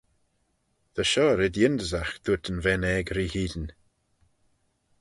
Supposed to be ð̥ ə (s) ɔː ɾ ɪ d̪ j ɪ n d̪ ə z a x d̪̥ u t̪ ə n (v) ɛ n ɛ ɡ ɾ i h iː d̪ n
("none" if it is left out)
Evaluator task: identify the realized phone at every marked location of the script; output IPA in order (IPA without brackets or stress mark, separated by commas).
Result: ʃ, v